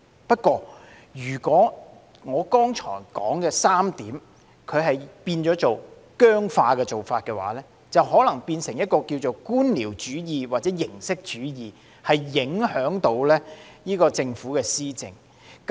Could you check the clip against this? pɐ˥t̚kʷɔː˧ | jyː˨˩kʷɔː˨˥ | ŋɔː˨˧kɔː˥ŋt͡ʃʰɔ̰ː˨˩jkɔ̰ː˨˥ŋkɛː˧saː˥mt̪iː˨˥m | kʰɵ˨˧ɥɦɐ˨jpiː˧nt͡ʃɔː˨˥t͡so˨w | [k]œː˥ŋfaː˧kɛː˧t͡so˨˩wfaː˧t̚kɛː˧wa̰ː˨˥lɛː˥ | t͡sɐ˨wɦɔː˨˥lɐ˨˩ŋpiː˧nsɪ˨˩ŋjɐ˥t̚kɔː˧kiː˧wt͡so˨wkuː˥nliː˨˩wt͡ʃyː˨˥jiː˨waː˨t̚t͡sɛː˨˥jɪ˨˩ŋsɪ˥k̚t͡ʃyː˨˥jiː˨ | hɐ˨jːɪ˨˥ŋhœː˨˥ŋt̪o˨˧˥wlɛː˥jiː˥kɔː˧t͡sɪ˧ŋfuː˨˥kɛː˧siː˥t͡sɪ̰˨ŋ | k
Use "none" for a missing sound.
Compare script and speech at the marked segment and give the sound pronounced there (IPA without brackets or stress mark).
k